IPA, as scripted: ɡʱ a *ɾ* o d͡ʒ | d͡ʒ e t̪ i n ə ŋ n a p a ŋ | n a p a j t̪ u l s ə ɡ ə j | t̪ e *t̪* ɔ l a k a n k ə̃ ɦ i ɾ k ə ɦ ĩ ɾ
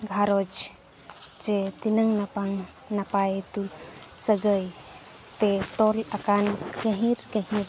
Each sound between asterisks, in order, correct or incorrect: correct, correct

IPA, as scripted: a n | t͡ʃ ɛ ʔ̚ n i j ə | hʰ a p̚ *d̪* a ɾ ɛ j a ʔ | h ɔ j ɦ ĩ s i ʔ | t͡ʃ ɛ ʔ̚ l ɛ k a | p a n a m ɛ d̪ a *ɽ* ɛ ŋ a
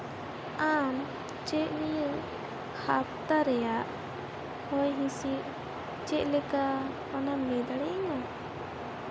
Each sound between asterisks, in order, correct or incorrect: incorrect: t̪, correct

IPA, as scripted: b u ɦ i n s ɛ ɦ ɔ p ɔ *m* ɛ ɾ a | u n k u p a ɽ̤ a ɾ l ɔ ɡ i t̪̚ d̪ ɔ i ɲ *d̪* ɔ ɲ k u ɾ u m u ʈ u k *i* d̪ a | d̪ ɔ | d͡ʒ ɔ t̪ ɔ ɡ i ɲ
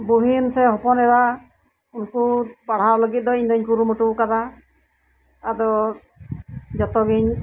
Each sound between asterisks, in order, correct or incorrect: incorrect: n, correct, incorrect: a

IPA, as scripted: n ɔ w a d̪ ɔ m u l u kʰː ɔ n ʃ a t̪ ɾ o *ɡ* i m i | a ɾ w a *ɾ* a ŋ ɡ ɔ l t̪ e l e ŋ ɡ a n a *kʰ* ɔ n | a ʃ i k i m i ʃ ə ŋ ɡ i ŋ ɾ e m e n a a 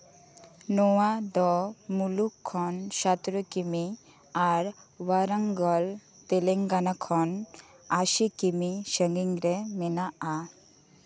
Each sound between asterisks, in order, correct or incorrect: incorrect: k, correct, correct

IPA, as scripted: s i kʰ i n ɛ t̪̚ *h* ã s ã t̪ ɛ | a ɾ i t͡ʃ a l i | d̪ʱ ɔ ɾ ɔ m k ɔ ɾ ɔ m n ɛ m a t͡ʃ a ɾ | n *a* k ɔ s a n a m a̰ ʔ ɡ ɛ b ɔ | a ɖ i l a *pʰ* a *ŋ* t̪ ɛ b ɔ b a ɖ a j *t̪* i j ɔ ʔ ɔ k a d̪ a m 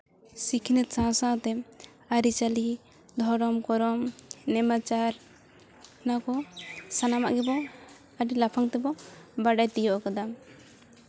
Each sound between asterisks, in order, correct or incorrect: incorrect: s, correct, correct, correct, correct

